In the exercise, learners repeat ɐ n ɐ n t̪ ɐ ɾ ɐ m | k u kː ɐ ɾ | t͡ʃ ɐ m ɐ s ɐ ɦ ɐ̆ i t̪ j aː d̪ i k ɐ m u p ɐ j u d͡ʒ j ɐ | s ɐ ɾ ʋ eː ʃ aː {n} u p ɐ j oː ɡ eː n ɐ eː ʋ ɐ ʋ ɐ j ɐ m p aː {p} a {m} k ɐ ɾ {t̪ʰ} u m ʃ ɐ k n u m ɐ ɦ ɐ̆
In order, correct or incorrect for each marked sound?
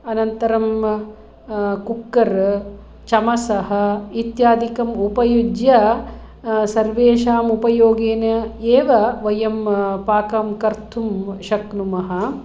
incorrect: m, incorrect: k, correct, correct

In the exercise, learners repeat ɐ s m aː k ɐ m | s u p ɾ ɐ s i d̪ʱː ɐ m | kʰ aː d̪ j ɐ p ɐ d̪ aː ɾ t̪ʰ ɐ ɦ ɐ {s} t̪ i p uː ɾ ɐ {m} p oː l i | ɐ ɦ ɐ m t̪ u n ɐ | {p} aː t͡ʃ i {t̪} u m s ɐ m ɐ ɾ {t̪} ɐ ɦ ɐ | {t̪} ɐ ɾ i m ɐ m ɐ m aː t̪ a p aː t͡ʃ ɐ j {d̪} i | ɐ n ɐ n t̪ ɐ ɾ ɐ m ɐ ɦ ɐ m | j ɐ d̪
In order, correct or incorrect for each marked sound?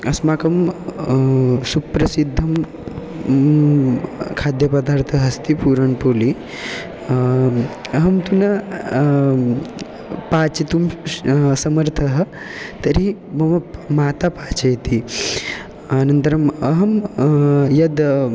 correct, incorrect: ɳ, correct, correct, incorrect: t̪ʰ, correct, incorrect: t̪

